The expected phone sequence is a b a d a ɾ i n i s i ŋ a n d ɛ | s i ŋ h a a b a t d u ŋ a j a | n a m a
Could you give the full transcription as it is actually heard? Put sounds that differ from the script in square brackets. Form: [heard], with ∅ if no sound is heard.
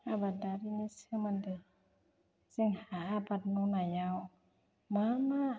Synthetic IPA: a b a d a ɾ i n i s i [m] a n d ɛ | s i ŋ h a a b a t [n] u [n] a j a | [m] a m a